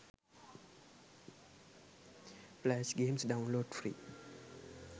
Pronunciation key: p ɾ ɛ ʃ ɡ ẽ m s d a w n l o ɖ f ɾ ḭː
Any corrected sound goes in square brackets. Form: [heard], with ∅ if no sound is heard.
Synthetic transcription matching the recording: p [l] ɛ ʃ ɡ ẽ m s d a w n l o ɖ f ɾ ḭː